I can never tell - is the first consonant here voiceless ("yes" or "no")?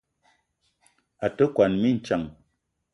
yes